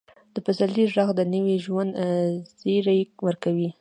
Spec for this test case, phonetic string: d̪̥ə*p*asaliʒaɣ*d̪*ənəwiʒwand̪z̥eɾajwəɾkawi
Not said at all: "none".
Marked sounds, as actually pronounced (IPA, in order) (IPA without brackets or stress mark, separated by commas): p, d̪